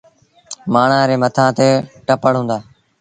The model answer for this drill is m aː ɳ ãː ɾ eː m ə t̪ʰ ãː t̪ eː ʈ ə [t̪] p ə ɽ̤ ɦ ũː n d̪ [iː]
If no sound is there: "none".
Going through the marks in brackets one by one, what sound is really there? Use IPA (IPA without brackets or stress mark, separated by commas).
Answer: none, aː